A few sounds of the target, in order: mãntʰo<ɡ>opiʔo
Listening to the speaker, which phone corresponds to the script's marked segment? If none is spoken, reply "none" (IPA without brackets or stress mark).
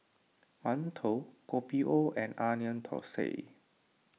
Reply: k